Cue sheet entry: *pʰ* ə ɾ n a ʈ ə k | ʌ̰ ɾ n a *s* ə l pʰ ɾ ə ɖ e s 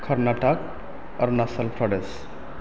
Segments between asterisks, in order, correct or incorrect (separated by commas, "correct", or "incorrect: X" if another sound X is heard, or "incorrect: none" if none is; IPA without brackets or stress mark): incorrect: kʰ, correct